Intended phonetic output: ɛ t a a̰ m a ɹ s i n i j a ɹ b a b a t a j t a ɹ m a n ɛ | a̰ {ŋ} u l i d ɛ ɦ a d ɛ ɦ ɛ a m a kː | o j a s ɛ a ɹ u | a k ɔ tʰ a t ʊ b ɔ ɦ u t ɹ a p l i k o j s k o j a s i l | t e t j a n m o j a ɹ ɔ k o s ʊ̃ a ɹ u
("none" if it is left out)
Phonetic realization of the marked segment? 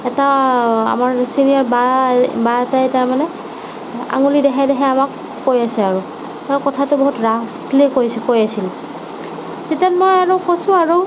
ŋ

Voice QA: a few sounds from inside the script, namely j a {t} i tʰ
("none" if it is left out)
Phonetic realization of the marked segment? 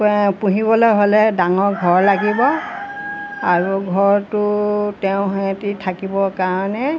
t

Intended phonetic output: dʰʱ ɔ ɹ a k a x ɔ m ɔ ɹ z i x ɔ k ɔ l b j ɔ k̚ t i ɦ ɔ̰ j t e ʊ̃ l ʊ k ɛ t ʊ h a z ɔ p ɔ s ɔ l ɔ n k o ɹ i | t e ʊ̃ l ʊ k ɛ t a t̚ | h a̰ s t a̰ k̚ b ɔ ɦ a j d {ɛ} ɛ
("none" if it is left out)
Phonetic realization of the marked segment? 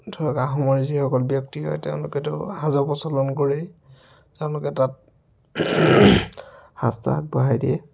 i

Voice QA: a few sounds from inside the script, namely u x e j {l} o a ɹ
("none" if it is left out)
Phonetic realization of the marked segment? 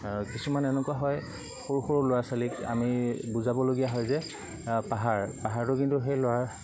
l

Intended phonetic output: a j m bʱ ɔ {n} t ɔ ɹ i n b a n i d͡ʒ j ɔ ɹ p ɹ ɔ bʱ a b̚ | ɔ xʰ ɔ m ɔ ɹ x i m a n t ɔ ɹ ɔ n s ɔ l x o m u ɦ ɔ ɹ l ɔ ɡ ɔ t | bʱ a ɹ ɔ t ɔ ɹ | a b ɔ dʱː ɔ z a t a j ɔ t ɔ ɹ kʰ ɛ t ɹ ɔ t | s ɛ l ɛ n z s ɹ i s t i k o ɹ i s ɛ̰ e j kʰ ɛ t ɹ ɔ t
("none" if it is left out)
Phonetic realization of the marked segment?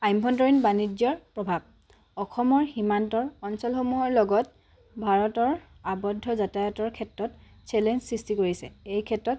n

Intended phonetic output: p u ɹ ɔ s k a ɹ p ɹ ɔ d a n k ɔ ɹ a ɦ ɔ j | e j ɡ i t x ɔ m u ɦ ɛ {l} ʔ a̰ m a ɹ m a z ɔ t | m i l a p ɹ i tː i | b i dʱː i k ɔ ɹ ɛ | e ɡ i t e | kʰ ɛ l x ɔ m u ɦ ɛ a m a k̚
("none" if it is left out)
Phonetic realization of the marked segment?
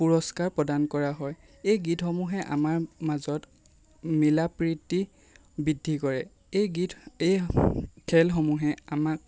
none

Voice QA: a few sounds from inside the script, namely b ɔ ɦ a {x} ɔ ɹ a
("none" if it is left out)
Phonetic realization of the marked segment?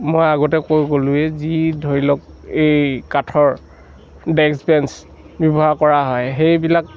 k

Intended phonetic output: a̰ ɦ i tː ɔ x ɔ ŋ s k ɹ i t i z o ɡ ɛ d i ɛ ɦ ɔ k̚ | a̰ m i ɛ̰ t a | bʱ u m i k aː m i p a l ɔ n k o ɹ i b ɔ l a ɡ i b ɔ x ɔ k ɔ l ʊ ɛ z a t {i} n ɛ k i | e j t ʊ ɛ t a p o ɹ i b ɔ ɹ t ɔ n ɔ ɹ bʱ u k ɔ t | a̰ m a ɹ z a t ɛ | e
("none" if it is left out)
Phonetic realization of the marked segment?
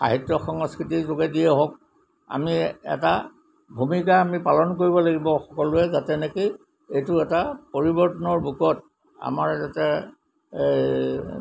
ɛ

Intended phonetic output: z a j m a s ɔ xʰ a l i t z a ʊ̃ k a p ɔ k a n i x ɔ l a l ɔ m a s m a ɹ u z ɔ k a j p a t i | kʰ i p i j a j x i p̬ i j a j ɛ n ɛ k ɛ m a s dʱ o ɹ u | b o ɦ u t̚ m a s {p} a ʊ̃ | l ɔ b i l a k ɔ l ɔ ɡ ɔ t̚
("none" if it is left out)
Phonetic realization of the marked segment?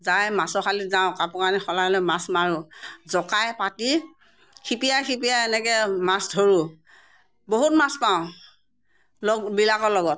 p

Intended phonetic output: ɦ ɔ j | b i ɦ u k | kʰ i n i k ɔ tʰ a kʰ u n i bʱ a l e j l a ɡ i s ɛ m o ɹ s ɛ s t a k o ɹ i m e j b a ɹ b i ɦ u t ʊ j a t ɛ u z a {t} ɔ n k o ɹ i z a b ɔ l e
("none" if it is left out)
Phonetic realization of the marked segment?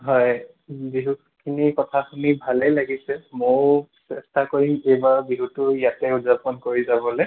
p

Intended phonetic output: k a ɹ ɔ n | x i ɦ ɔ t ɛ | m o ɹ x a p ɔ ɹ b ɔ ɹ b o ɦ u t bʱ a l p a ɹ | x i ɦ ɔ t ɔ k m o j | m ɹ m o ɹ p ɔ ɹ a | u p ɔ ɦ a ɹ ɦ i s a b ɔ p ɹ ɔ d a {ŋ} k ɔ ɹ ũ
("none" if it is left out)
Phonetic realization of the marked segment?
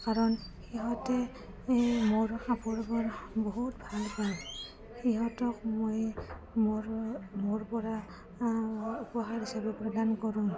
n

